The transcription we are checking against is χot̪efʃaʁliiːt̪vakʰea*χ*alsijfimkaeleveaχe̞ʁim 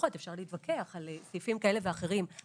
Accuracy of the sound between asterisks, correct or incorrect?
correct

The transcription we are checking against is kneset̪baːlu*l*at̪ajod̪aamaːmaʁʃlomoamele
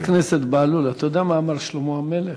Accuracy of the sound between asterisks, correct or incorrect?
correct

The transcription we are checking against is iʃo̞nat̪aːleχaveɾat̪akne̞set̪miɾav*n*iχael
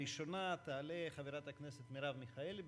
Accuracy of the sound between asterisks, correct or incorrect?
incorrect: m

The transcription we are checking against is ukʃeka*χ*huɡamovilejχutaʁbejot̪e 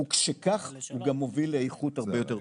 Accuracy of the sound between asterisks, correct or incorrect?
correct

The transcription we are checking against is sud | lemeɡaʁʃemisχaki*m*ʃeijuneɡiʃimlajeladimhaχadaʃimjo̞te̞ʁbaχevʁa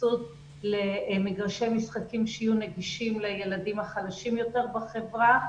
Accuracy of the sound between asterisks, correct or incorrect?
correct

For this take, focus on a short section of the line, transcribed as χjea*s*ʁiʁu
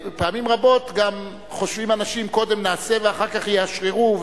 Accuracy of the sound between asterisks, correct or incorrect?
incorrect: ʃ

